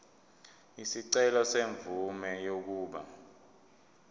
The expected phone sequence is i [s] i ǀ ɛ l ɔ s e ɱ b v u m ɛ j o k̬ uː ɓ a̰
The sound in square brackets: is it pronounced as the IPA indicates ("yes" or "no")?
yes